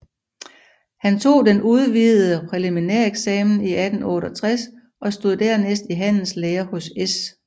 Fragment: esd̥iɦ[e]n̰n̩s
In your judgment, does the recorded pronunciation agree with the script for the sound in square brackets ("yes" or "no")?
no